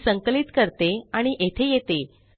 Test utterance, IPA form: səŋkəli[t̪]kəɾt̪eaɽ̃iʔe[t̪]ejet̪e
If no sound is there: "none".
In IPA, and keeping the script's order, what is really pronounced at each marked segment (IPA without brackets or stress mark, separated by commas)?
t̪, t̪ʰ